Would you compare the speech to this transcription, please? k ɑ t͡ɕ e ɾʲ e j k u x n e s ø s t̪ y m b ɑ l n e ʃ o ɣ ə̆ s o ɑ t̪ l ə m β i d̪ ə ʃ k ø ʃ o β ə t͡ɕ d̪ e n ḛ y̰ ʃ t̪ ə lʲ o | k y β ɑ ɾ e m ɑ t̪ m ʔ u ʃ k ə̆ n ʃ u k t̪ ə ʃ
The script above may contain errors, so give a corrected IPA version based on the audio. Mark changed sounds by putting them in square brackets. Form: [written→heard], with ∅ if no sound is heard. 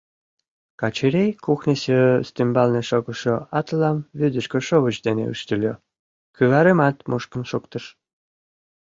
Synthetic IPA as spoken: k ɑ t͡ɕ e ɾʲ e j k u x n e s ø s t̪ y m b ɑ l n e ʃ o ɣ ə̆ [s→ʃ] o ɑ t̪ l [ə→ɑ] m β [i→y] d̪ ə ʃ k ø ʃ o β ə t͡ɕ d̪ e n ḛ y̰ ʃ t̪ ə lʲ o | k y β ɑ ɾ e m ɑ t̪ m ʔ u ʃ k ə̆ n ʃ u k t̪ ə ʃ